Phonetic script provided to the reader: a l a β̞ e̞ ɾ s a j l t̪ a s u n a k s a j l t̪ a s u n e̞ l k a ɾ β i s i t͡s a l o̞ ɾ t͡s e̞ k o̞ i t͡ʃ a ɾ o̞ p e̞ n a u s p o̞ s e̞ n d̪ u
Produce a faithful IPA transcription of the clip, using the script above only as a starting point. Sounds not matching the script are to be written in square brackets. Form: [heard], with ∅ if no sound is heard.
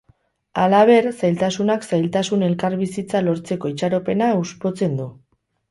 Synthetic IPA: a l a β̞ e̞ ɾ s a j l t̪ a s u n a k s a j l t̪ a s u n e̞ l k a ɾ β i s i t͡s a l o̞ ɾ t͡s e̞ k o̞ i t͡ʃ a ɾ o̞ p e̞ n a u s p o̞ [t͡s] e̞ n d̪ u